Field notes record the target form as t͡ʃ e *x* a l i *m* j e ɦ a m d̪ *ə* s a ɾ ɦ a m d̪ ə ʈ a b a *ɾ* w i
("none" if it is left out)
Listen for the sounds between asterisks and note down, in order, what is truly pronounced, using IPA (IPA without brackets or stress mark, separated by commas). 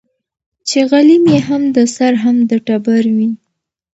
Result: ɣ, m, ə, ɾ